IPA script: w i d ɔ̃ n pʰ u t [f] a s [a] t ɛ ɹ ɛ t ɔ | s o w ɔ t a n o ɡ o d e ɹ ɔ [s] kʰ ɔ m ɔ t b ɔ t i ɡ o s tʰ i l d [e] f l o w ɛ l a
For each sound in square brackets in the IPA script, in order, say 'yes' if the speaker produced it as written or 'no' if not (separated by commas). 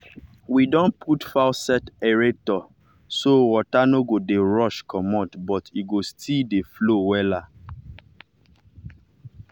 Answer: yes, no, no, yes